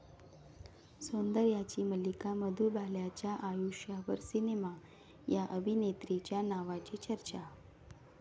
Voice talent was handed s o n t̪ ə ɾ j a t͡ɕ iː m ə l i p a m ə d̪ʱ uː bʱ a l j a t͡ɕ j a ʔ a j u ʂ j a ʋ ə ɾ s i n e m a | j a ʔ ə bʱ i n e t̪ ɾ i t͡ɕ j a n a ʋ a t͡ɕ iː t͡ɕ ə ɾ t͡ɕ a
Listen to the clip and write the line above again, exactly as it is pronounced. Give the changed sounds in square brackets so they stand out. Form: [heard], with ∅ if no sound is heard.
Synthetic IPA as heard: s o n [d̪] ə ɾ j a t͡ɕ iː m ə l i [k] a m ə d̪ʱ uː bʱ a l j a t͡ɕ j a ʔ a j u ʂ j a ʋ ə ɾ s i n e m a | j a ʔ ə bʱ i n e t̪ ɾ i t͡ɕ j a n a ʋ a t͡ɕ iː t͡ɕ ə ɾ t͡ɕ a

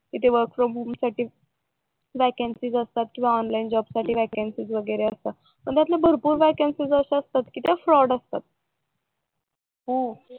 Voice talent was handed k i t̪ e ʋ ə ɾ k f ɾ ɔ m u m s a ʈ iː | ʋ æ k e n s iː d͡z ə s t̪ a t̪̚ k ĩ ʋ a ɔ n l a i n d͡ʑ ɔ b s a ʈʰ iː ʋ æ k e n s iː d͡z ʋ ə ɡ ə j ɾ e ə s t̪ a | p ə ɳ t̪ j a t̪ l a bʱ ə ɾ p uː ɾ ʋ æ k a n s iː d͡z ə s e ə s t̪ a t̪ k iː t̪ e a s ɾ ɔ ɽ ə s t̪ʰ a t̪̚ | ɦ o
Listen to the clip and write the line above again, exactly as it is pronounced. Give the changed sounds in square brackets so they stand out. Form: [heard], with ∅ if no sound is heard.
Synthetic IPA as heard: k i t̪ e ʋ ə ɾ k f ɾ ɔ m u m s a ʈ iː | ʋ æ k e n s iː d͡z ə s t̪ a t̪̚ k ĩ ʋ a ɔ n l a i n d͡ʑ ɔ b s a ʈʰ iː ʋ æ k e n s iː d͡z ʋ ə ɡ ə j ɾ e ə s t̪ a | p ə ɳ t̪ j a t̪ l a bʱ ə ɾ p uː ɾ ʋ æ k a n s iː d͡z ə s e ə s t̪ a t̪ k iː t̪ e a [f] ɾ ɔ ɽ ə s [t̪] a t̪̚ | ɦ o

